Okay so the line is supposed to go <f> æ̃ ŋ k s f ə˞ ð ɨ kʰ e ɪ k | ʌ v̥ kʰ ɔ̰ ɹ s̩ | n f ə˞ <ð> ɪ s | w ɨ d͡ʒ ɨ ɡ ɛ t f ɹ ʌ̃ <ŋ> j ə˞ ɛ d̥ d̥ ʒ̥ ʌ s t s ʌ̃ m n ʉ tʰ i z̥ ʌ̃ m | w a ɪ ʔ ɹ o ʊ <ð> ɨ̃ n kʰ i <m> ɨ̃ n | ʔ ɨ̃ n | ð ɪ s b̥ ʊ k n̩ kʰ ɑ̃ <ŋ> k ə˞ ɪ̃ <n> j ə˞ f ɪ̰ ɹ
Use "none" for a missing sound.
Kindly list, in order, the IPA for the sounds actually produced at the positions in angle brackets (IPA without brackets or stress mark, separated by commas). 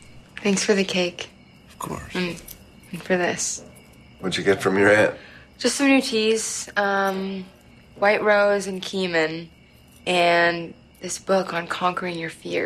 θ, ð, m, z, m, ŋ, ŋ